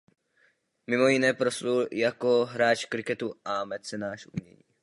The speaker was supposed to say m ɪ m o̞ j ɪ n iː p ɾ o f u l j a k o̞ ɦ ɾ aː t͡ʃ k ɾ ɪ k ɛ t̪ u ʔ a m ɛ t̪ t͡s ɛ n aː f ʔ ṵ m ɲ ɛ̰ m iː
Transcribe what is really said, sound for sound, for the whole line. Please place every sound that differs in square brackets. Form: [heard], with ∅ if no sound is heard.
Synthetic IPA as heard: m ɪ m o̞ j ɪ n [ɛː] p ɾ o [s] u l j a k o̞ ɦ ɾ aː t͡ʃ k ɾ ɪ k ɛ t̪ u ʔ a m ɛ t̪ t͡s ɛ n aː [ʃ] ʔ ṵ m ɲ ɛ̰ [ɲ] iː